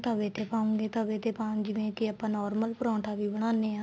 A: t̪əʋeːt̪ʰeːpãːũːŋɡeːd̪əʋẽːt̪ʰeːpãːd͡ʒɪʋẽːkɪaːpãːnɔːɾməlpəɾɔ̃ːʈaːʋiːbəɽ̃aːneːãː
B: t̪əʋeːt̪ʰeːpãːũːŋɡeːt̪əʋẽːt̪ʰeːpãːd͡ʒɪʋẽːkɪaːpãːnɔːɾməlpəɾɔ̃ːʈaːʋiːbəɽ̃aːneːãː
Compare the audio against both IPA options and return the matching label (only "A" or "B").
B